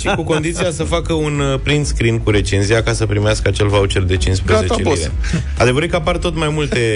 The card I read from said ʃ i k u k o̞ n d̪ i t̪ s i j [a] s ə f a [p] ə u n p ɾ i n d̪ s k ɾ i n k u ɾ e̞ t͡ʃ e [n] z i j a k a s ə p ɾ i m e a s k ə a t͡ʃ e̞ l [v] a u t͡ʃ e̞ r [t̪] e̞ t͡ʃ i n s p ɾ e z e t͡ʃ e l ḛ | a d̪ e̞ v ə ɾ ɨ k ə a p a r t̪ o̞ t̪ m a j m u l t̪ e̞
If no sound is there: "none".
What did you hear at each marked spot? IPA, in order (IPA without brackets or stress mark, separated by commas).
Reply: a, k, n, v, d̪